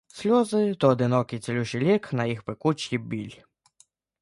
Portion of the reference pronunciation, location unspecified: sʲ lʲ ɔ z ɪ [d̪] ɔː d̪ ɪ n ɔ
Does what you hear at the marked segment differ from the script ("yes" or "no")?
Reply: yes